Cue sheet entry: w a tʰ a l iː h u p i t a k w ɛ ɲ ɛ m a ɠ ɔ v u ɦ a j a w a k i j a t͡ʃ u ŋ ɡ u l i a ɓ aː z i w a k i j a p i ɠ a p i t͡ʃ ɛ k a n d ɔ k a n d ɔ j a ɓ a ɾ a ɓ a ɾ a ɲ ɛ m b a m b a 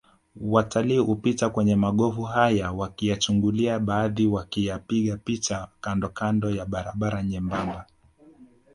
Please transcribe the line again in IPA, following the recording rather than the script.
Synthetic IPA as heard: w a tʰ a l iː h u p i t a k w ɛ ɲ ɛ m a ɠ ɔ v u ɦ a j a w a k i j a t͡ʃ u ŋ ɡ u l i a ɓ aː ð i w a k i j a p i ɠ a p i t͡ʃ a k a n d ɔ k a n d ɔ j a ɓ a ɾ a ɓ a ɾ a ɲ ɛ m b a m b a